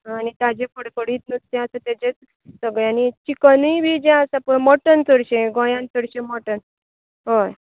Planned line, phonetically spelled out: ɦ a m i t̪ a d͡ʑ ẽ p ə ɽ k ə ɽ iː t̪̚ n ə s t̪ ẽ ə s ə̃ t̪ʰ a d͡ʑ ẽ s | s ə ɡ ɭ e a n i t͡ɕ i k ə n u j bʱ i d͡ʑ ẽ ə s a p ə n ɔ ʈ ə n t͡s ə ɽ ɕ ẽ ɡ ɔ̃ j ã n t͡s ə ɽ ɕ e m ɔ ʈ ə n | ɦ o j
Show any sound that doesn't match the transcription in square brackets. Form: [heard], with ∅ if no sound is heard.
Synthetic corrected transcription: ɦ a [n] i t̪ a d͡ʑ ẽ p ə ɽ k ə ɽ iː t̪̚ n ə s t̪ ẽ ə s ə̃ [t̪] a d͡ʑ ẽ [t͡s] | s ə ɡ ɭ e a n i t͡ɕ i k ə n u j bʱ i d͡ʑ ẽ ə s a p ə [m] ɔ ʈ ə n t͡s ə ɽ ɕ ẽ ɡ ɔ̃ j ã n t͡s ə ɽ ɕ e m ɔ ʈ ə n | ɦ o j